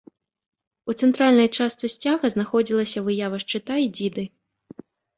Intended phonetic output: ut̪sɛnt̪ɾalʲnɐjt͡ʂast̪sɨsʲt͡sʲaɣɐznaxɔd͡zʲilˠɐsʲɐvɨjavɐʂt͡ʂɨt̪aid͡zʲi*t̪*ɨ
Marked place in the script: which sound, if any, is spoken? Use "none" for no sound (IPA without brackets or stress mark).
d̪